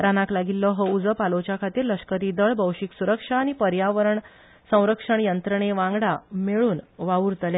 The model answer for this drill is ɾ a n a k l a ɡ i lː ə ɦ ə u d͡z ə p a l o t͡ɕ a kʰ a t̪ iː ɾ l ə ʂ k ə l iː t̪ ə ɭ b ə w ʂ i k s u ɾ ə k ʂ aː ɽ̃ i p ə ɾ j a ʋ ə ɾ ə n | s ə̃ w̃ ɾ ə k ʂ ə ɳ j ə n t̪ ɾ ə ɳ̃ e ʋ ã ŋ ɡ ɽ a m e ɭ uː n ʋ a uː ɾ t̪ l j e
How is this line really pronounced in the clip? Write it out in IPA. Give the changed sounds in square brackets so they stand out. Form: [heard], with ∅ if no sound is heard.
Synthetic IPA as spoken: ɾ a n a k l a ɡ i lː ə ɦ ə u d͡z ə p a l o t͡ɕ a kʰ a t̪ iː ɾ l ə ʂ k ə [ɾ] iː [d̪] ə ɭ b ə w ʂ i k s u ɾ ə k ʂ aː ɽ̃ i p ə ɾ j a ʋ ə ɾ ə [ɳ] | s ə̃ w̃ ɾ ə k ʂ ə ɳ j ə n t̪ ɾ ə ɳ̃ e ʋ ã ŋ ɡ ɽ a m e ɭ uː n ʋ a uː ɾ t̪ l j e